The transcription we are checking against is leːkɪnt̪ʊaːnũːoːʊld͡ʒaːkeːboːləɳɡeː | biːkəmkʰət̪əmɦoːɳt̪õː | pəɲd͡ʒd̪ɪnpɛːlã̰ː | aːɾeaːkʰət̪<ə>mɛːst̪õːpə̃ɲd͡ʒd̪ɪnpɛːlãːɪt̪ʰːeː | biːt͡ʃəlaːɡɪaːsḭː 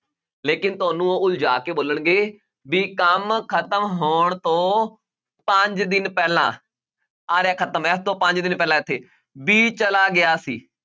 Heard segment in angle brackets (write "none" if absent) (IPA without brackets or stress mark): ə